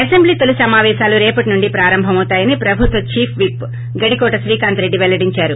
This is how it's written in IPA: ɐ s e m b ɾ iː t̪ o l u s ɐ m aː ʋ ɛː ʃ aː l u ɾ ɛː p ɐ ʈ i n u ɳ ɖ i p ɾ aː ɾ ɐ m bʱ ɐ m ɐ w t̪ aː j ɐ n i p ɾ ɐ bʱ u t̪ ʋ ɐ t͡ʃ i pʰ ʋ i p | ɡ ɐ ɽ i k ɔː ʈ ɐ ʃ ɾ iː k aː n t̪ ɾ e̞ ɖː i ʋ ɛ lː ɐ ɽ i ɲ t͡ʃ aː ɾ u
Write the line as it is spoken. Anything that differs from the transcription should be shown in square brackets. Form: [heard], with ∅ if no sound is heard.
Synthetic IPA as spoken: ɐ s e m b [l] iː t̪ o l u s ɐ m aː ʋ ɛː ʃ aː l u ɾ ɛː p ɐ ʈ i n u ɳ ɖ i p ɾ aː ɾ ɐ m bʱ ɐ m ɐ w t̪ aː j ɐ n i p ɾ ɐ bʱ u t̪ ʋ ɐ t͡ʃ [iː] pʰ ʋ i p | ɡ ɐ ɽ i k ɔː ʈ ɐ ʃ ɾ iː k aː n t̪ ɾ e̞ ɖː i ʋ ɛ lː ɐ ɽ i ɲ t͡ʃ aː ɾ u